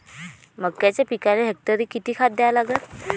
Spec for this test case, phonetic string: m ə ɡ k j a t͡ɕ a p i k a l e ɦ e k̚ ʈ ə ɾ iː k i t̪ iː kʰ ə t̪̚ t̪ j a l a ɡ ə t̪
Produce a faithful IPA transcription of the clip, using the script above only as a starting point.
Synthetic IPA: m ə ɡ k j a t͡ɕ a p i k a l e ɦ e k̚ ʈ ə ɾ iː k i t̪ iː kʰ a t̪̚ d̪ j a l a ɡ ə t̪